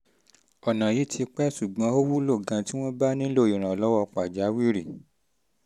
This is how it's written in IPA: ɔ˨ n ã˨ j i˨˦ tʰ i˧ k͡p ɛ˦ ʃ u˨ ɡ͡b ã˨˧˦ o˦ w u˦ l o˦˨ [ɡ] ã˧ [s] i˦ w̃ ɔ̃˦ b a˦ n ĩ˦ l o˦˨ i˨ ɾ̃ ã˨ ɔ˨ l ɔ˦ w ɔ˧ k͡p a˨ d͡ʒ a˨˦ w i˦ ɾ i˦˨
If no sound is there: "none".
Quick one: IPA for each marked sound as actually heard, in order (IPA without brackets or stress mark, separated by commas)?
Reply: ɡ, t